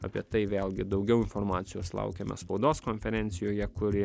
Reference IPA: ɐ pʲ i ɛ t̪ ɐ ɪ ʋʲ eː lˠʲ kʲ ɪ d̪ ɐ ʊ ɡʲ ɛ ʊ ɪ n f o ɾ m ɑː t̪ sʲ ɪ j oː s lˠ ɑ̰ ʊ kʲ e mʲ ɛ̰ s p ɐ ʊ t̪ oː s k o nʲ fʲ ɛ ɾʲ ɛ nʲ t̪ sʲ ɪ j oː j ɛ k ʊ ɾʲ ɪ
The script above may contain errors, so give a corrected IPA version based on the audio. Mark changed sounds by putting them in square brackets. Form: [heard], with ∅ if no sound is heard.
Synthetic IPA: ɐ pʲ i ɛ t̪ ɐ ɪ ʋʲ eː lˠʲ [ɡʲ] ɪ d̪ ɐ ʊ ɡʲ ɛ ʊ ɪ n f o ɾ m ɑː t̪ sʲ ɪ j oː s lˠ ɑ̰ ʊ kʲ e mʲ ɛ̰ s p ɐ ʊ [d̪] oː s k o nʲ fʲ ɛ ɾʲ ɛ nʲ t̪ sʲ ɪ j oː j ɛ k ʊ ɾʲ ɪ